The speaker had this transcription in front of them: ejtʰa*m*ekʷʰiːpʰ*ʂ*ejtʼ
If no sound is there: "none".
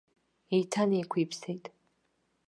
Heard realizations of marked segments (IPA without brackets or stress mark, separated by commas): n, s